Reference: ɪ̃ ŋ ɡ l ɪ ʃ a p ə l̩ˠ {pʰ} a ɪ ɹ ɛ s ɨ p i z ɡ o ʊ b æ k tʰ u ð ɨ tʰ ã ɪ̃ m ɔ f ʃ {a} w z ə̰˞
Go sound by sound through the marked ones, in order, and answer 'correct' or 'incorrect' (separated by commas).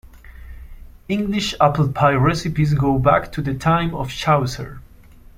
correct, correct